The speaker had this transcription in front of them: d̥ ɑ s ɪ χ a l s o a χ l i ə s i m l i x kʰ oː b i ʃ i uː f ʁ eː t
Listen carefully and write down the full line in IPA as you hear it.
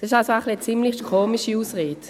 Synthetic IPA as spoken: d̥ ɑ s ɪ ʃ a l s o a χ l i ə t͡s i m l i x kʰ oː m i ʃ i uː s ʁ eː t